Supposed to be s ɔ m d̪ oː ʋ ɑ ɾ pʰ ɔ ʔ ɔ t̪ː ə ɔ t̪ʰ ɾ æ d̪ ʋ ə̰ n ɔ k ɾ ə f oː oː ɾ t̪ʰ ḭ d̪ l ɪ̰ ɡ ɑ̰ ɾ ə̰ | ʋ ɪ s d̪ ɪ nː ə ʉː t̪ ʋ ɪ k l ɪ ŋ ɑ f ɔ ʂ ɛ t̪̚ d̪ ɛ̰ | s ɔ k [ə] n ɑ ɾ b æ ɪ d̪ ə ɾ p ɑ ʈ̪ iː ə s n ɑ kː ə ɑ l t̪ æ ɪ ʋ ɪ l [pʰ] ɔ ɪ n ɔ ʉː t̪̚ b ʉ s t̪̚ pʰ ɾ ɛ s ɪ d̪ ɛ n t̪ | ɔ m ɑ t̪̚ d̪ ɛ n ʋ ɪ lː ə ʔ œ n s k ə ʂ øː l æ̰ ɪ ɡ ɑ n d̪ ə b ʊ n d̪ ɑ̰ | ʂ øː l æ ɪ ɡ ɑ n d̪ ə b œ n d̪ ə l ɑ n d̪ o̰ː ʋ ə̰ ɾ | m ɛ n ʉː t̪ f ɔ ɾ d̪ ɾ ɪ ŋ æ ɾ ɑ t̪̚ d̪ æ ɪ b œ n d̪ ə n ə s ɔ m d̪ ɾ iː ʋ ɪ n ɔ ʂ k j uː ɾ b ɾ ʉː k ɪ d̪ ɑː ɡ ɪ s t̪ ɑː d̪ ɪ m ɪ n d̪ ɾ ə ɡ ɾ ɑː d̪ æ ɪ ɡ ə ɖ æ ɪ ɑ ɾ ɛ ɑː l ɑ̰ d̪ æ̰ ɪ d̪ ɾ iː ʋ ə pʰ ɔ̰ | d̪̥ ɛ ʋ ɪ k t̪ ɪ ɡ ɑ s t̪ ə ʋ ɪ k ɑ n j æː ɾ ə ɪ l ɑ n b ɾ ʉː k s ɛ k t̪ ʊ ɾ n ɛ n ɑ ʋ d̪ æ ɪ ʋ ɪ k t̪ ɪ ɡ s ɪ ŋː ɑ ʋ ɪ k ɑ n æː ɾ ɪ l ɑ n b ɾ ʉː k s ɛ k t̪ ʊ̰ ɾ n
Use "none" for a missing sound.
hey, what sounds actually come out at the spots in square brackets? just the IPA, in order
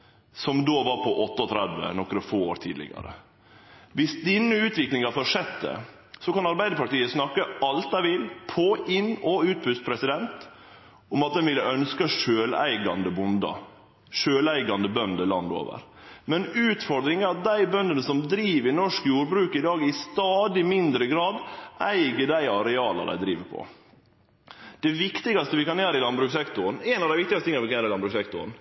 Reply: ɑ, pʰ

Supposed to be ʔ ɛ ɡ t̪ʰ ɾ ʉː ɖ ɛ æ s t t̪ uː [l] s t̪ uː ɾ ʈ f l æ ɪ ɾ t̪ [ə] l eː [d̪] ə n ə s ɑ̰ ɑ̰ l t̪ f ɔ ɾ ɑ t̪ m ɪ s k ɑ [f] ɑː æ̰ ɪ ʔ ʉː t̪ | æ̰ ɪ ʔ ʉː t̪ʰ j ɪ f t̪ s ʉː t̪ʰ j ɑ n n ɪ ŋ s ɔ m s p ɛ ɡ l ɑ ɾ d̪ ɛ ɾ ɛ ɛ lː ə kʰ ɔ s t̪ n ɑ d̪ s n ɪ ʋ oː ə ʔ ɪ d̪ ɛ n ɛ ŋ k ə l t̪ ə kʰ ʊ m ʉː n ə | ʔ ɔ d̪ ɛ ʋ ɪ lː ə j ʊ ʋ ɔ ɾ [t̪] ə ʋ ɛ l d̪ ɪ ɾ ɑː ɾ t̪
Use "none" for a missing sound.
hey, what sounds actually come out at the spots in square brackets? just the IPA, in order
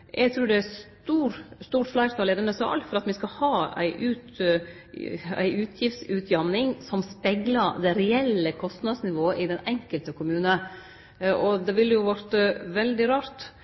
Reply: ɾ, ɑ, d̪, h, t̪

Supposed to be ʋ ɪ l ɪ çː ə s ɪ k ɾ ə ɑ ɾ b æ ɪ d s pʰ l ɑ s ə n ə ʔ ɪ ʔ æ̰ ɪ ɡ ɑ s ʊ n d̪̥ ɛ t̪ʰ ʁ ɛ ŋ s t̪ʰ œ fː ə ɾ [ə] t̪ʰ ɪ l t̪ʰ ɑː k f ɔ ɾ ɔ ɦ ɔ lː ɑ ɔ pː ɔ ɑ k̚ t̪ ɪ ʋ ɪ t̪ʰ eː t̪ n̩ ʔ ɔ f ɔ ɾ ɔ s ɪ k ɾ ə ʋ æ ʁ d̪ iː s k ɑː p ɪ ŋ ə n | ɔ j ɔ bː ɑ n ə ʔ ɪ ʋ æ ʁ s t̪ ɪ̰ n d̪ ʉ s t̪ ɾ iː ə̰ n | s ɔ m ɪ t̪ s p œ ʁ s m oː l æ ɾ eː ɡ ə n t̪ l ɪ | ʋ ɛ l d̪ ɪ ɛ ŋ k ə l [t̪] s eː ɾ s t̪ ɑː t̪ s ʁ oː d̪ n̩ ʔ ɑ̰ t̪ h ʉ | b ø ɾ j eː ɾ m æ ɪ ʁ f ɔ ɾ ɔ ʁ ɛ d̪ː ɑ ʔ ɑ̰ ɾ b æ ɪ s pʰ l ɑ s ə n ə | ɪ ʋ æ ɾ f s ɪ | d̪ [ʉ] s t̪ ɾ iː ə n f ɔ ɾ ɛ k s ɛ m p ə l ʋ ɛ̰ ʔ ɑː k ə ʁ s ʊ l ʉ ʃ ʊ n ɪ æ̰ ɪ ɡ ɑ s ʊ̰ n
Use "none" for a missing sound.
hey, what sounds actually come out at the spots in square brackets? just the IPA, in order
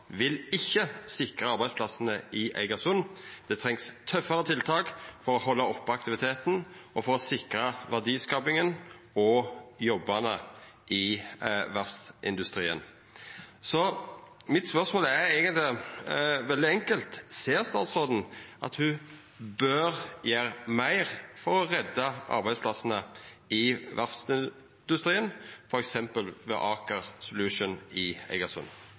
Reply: ə, t̪, ʉ

